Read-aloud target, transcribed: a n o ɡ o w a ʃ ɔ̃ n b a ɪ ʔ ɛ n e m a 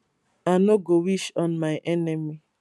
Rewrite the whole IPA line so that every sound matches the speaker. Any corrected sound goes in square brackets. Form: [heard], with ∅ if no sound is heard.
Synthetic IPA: a n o ɡ o w [i] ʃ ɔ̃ n [m] a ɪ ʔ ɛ n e m [i]